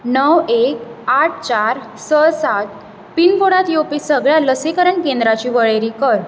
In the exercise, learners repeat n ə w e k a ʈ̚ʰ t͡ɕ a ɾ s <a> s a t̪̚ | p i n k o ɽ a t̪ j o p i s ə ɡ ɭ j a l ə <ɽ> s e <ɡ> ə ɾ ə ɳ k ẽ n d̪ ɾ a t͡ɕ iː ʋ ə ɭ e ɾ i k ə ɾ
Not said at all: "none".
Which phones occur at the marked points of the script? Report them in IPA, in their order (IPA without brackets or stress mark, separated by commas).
ə, none, k